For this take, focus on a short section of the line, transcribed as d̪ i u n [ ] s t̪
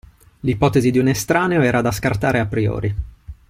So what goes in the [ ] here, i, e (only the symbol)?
e